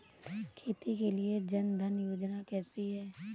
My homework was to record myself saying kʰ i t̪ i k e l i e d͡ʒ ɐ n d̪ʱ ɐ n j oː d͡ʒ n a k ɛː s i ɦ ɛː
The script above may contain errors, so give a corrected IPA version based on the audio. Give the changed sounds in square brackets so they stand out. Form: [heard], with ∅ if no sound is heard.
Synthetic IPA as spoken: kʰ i t̪ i k e l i e d͡ʒ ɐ n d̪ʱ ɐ n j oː d͡ʒ n a k ɛː s i ɦ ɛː